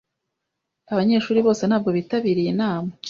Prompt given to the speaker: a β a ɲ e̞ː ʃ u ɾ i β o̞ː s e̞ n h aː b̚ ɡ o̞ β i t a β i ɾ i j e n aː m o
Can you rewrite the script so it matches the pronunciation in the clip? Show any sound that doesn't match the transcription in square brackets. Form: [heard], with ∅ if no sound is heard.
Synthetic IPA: a β a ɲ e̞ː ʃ [uː] ɾ i β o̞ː s e̞ n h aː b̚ ɡ o̞ β i t a β i ɾ i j e n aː m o